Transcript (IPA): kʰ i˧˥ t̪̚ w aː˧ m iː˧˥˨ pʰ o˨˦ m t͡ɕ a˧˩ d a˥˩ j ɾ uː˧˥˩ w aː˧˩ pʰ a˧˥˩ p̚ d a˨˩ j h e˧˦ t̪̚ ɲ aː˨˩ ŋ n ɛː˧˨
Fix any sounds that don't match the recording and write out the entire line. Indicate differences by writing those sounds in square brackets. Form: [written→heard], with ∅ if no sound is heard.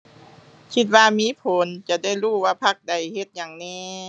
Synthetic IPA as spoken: kʰ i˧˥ t̪̚ w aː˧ m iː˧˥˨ pʰ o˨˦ [m→n] t͡ɕ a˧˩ d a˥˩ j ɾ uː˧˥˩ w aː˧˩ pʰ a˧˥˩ [p̚→k̚] d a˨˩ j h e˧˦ t̪̚ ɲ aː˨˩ ŋ n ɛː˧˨